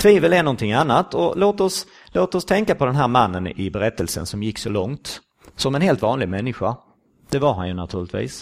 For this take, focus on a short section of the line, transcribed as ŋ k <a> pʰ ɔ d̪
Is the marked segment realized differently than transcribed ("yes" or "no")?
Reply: no